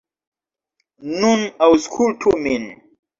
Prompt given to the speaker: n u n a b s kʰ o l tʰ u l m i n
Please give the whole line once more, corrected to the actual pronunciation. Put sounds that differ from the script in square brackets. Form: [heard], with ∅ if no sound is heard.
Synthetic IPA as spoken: n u n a [w] s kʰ [u] l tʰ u [∅] m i n